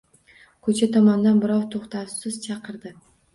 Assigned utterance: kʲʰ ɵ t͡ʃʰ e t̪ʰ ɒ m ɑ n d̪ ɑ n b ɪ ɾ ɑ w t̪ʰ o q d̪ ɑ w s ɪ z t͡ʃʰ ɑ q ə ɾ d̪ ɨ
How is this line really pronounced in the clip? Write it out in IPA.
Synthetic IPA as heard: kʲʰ ɵ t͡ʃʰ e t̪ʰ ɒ m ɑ n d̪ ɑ n b ɪ ɾ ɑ w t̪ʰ o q t̪ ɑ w s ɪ z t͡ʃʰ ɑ q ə ɾ d̪ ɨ